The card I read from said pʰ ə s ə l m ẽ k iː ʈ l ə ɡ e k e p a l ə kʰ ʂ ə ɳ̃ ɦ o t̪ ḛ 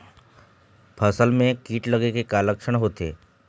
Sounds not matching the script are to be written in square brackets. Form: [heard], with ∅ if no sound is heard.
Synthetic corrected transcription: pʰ ə s ə l m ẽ k iː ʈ l ə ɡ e k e [k] a l ə [k] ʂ ə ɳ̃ ɦ o t̪ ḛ